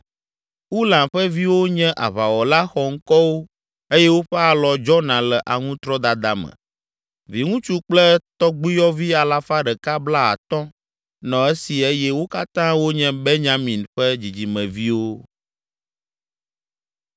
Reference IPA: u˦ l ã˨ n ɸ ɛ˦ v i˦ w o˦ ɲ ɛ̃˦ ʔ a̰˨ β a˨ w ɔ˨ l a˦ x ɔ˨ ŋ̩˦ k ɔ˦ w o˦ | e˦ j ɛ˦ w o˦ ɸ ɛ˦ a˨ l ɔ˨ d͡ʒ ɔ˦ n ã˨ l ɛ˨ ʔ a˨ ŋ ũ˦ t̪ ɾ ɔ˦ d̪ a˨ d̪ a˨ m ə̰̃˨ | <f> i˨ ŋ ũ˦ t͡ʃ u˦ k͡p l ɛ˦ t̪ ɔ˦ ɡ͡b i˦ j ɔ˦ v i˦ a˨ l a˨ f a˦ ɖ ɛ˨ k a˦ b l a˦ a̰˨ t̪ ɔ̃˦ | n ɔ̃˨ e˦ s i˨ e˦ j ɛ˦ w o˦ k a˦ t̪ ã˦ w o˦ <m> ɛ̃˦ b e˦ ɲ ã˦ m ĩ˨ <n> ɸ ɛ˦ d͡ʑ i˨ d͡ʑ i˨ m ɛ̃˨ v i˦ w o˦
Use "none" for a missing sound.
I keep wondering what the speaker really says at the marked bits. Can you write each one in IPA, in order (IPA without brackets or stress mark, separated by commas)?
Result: v, ɲ, n